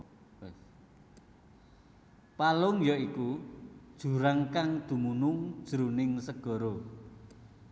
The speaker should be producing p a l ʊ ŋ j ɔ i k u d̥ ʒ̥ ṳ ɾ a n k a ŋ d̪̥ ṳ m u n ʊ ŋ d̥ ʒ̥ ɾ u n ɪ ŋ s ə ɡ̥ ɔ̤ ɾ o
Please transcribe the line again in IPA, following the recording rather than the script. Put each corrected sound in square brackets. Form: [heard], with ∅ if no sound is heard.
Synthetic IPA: p a l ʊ ŋ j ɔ i k u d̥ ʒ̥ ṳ ɾ a [ŋ] k a ŋ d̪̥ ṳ m u n ʊ ŋ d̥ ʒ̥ ɾ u n ɪ ŋ s ə ɡ̥ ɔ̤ ɾ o

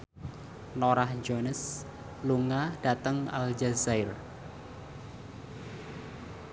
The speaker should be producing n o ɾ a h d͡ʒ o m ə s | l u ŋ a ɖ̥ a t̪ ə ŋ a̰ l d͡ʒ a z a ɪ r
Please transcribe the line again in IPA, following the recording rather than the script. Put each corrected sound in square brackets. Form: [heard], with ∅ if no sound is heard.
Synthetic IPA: n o ɾ a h d͡ʒ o [n] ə s | l u ŋ a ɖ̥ a t̪ ə ŋ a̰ l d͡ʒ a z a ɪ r

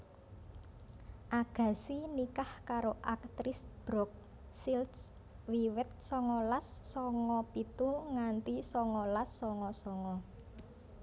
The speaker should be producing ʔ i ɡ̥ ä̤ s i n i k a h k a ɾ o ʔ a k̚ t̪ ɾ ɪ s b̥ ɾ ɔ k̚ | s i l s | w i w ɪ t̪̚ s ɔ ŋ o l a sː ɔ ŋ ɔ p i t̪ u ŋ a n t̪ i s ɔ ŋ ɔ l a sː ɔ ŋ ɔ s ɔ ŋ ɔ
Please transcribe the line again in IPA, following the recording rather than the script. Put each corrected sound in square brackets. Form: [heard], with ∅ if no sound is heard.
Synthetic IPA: ʔ [a] ɡ̥ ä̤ s i n i k a h k a ɾ o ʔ a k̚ t̪ ɾ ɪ s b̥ ɾ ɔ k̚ | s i l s | w i w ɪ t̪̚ s ɔ ŋ [ɔ] l a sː ɔ ŋ ɔ p i t̪ u ŋ a n t̪ i s ɔ ŋ ɔ l a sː ɔ ŋ ɔ s ɔ ŋ ɔ

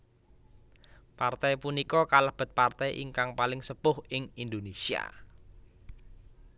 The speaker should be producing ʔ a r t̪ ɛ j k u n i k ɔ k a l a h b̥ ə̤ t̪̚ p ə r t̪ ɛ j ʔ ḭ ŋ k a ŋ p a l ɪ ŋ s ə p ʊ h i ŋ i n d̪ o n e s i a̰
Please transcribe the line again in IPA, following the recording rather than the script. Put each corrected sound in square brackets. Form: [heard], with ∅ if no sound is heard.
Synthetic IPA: [p] a r t̪ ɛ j [p] u n i k ɔ k a l a h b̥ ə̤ t̪̚ p [a] r t̪ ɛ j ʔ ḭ ŋ k a ŋ p a l ɪ ŋ s ə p ʊ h [ɪ] ŋ i n d̪ o n e s i a̰

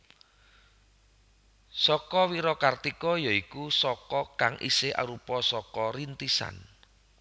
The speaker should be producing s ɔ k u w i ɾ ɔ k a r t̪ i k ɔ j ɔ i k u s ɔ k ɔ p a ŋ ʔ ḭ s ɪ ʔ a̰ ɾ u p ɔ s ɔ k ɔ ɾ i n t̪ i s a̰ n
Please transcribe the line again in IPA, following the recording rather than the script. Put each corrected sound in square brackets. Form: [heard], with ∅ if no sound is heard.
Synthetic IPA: s ɔ k [ɔ] w i ɾ ɔ k a r t̪ i k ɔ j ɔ i k u s ɔ k ɔ [k] a ŋ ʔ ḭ s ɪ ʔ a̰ ɾ u p ɔ s ɔ k ɔ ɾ i n t̪ i s a̰ n

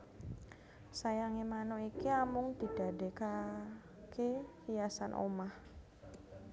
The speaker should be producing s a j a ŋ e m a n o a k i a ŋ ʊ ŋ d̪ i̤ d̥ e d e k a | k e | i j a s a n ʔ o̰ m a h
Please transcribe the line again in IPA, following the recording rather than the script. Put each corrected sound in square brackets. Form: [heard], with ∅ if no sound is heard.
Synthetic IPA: s a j a ŋ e m a n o [i] k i a [m] ʊ ŋ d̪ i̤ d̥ [a] d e k a | k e | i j a s a n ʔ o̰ m a h

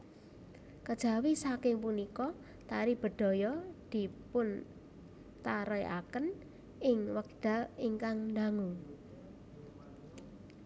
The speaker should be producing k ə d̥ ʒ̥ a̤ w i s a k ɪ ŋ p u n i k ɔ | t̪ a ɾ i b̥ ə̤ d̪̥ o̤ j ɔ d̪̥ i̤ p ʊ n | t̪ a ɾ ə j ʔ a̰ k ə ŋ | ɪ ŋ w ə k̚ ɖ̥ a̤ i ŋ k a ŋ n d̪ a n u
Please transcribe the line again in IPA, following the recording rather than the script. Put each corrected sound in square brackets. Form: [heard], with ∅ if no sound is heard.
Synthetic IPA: k ə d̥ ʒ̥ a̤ w i s a k ɪ ŋ p u n i k ɔ | t̪ a ɾ i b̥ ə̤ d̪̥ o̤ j ɔ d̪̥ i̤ p ʊ n | t̪ a ɾ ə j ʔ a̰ k ə [n] | ɪ ŋ w ə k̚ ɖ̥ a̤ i ŋ k a ŋ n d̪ a [ŋ] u

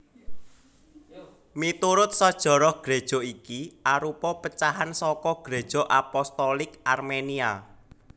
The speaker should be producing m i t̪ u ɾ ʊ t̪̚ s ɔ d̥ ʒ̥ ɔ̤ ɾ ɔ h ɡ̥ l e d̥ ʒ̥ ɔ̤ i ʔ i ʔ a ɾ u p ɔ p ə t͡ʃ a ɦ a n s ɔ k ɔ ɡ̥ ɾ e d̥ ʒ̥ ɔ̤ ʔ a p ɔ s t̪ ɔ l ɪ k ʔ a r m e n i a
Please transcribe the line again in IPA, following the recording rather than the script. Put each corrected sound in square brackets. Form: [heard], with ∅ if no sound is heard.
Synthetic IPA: m i t̪ u ɾ ʊ t̪̚ s ɔ d̥ ʒ̥ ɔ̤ ɾ ɔ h ɡ̥ [ɾ] e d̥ ʒ̥ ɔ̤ i [k] i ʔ a ɾ u p ɔ p ə t͡ʃ a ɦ a n s ɔ k ɔ ɡ̥ ɾ e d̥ ʒ̥ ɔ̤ ʔ a p ɔ s t̪ ɔ l ɪ k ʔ a r m e n i a

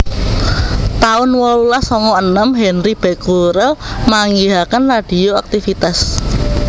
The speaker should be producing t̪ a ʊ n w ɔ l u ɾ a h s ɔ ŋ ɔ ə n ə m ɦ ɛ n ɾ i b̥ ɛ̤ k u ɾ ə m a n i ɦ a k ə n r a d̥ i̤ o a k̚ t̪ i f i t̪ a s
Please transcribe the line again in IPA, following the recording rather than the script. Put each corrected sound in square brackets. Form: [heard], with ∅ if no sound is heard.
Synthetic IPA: t̪ a ʊ n w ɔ l u [l] a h s ɔ ŋ ɔ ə n ə m ɦ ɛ n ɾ i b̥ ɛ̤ k u ɾ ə m a [ŋ] i ɦ a k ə n r a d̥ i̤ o a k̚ t̪ i f i t̪ a s

